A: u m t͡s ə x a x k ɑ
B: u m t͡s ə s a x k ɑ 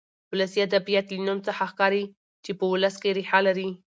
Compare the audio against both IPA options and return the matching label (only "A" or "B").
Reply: A